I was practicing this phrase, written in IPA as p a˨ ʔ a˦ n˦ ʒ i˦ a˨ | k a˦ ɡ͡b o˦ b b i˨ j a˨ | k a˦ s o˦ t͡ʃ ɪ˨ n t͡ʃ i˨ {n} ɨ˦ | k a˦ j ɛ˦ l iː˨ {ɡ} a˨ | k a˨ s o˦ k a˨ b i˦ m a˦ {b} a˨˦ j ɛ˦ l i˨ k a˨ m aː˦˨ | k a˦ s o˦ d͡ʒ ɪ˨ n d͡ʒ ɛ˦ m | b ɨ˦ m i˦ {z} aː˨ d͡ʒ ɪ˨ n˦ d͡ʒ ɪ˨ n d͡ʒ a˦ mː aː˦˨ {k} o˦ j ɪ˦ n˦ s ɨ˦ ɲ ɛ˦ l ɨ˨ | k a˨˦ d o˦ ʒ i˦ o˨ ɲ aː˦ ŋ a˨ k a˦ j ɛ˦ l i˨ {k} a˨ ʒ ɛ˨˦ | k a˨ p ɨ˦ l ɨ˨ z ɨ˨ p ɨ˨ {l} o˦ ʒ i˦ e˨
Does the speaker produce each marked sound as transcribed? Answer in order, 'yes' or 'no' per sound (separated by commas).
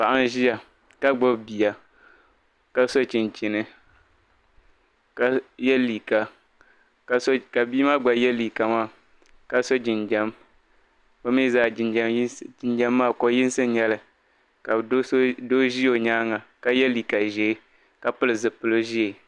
yes, no, no, yes, yes, yes, yes